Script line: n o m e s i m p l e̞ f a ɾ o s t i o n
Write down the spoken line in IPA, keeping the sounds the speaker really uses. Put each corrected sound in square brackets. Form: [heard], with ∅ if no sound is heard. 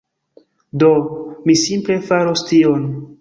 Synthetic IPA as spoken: [d] o m [i] s i m p l e̞ f a ɾ o s t i o n